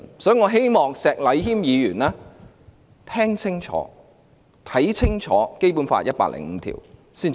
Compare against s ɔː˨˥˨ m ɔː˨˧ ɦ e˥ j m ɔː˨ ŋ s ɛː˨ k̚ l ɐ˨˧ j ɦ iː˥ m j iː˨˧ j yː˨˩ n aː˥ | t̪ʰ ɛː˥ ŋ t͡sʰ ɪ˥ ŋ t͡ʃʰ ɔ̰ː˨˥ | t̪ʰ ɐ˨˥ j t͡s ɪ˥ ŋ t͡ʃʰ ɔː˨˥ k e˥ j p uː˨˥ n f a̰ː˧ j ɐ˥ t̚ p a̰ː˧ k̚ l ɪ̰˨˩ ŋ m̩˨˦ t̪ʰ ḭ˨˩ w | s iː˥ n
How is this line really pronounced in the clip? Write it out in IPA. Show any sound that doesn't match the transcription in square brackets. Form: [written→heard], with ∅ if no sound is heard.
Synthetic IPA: s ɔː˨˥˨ [m→ŋ] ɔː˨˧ ɦ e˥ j m ɔː˨ ŋ s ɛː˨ k̚ l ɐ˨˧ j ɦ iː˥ m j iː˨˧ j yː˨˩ n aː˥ | t̪ʰ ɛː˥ ŋ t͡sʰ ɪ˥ ŋ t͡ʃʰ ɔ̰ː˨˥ | t̪ʰ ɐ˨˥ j [t͡s→t͡sʰ] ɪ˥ ŋ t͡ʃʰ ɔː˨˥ k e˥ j p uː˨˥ n f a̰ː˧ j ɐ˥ t̚ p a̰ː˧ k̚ l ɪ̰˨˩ ŋ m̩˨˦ t̪ʰ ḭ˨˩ w | s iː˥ n